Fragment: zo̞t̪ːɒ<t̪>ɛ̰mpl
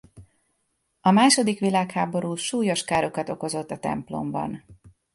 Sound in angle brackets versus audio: correct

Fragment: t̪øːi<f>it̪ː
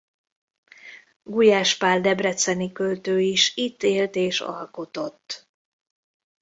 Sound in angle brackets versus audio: incorrect: ʃ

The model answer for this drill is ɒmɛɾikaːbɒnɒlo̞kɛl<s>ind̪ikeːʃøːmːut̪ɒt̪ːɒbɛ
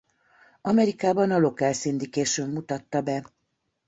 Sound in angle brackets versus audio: correct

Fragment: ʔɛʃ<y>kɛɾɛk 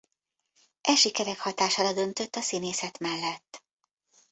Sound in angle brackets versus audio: incorrect: i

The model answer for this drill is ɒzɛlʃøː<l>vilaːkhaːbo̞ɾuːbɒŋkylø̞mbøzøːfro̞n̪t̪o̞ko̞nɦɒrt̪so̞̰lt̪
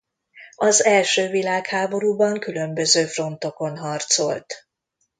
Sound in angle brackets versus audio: incorrect: none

